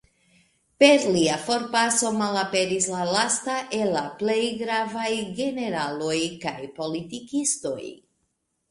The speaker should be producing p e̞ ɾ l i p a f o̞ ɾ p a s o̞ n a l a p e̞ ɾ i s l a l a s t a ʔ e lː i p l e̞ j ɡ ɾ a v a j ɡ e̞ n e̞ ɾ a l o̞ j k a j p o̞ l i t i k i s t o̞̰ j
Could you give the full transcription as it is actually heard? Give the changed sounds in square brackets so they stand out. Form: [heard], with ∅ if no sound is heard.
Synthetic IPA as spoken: p e̞ ɾ l i [∅] a f o̞ ɾ p a s o̞ [m] a l a p e̞ ɾ i s l a l a s t a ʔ e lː [a] p l e̞ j ɡ ɾ a v a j ɡ e̞ n e̞ ɾ a l o̞ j k a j p o̞ l i t i k i s t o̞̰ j